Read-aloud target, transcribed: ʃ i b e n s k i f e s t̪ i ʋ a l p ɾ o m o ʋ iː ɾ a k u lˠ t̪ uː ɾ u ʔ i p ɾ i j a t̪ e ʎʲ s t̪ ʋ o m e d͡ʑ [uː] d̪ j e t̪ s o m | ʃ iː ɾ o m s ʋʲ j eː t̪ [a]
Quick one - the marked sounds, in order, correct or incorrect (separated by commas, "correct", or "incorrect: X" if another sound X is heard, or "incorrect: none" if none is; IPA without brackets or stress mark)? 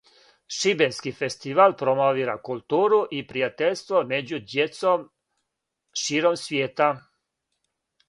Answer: incorrect: u, correct